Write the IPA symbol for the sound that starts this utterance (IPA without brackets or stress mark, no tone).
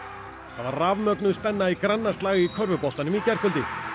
θ